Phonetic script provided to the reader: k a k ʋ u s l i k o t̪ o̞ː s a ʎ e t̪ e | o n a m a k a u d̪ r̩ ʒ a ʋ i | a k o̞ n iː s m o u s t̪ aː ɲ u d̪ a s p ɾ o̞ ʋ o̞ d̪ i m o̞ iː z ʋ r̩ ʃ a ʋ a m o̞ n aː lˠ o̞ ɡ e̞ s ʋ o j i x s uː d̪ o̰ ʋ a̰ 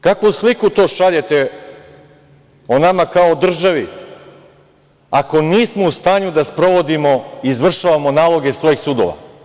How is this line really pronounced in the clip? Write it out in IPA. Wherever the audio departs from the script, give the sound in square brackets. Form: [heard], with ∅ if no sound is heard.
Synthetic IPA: k a k ʋ u s l i k [u] t̪ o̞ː [ʃ] a ʎ e t̪ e | o n a m a k a [o] d̪ r̩ ʒ a ʋ i | a k o̞ n iː s m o u s t̪ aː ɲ u d̪ a s p ɾ o̞ ʋ o̞ d̪ i m o̞ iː z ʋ r̩ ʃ a ʋ a m o̞ n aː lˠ o̞ ɡ e̞ s ʋ o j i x s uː d̪ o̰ ʋ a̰